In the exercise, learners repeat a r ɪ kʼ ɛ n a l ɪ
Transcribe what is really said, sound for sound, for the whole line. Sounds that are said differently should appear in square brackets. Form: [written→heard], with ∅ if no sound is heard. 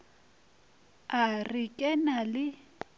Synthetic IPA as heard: a r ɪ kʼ ɛ n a l ɪ